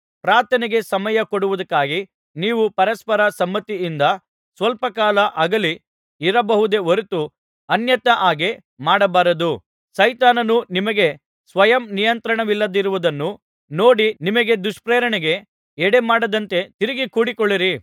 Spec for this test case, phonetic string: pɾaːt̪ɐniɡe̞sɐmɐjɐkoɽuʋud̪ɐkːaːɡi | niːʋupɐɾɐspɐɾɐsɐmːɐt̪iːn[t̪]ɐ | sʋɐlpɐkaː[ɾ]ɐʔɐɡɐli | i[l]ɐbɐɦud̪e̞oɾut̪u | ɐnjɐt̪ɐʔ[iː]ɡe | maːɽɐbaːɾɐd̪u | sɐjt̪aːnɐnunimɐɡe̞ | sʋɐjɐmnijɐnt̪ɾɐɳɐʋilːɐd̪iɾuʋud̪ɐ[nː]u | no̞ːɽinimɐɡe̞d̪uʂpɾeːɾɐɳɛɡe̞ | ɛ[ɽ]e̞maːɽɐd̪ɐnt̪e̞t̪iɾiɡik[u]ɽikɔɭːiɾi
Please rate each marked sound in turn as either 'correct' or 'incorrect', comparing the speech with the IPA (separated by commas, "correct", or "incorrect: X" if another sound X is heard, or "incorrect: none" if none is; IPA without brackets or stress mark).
incorrect: d̪, incorrect: l, incorrect: ɾ, incorrect: aː, correct, correct, incorrect: uː